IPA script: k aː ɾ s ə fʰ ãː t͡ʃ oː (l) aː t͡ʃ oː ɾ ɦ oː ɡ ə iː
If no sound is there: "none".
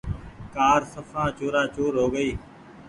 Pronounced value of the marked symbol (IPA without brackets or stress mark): ɾ